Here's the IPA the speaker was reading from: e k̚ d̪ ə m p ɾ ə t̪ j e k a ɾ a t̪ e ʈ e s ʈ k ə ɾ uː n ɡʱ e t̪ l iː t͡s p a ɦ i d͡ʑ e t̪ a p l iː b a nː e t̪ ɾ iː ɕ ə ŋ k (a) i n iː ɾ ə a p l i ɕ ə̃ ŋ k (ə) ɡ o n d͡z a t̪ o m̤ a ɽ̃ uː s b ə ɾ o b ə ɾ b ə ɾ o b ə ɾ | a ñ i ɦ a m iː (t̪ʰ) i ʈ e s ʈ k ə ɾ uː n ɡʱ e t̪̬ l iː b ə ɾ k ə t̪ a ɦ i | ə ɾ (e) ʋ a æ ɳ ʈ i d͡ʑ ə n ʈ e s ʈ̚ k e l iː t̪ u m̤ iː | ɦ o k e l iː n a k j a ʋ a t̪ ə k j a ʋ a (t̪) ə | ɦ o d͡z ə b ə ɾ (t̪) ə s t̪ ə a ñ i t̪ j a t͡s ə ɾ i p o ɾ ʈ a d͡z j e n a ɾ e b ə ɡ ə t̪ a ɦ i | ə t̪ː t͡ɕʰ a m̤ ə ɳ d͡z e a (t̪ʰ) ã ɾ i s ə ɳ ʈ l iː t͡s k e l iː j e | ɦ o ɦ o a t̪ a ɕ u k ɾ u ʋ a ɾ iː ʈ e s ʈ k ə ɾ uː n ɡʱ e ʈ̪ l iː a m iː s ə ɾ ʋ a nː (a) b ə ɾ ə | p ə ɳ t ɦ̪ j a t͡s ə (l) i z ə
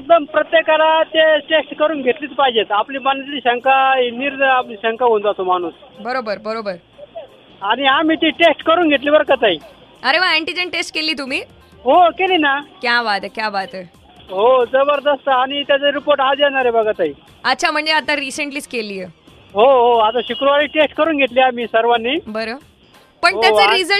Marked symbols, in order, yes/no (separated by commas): yes, no, no, yes, yes, no, no, no, no